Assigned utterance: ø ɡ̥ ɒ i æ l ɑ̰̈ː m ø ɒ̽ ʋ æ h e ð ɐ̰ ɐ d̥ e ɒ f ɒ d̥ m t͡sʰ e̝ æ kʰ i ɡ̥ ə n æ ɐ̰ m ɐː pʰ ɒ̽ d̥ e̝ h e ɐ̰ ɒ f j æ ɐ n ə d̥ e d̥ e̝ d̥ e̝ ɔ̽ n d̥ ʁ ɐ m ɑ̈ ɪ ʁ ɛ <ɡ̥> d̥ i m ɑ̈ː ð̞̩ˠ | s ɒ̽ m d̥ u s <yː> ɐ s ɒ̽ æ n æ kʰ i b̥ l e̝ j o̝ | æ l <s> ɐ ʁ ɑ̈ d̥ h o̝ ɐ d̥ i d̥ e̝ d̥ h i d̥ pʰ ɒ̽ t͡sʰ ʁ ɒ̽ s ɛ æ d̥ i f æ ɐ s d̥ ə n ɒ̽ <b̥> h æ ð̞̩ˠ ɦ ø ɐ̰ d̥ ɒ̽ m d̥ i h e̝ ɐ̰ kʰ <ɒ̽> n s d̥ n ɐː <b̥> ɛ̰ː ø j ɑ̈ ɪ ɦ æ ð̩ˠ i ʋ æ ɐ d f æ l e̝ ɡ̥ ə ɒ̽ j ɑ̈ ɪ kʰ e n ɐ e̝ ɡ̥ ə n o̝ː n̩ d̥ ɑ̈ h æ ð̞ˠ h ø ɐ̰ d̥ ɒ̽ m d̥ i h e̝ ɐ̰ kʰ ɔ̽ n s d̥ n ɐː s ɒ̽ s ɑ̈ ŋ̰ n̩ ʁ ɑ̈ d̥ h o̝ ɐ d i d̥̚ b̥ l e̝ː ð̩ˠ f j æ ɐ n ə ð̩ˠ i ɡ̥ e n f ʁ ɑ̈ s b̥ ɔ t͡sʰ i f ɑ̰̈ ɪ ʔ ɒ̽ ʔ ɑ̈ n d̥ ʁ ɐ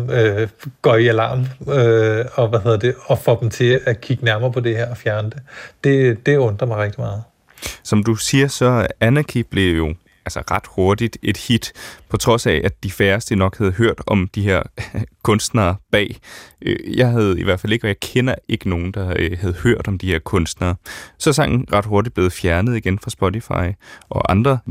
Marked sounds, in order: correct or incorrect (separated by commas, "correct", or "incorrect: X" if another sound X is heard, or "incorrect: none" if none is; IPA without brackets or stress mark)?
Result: correct, incorrect: iː, correct, incorrect: ɡ̥, incorrect: ɔ̽, correct